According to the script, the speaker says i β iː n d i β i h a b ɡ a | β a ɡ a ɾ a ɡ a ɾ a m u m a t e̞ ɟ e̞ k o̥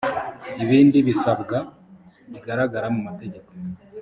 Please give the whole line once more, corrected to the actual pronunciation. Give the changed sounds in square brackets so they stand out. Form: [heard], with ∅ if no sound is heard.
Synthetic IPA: i β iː n d i β i [s] a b ɡ a | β [i] ɡ a ɾ a ɡ a ɾ a m u m a t e̞ ɟ e̞ k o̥